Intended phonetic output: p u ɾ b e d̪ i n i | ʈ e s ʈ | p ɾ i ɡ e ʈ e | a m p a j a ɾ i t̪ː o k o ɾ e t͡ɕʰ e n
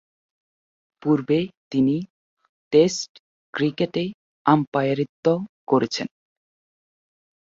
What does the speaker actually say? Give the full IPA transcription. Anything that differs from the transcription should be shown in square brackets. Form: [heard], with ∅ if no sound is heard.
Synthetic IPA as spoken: p u ɾ b e [t̪] i n i | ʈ e s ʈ | [k] ɾ i [k] e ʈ e | a m p a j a ɾ i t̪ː o k o ɾ e t͡ɕʰ e n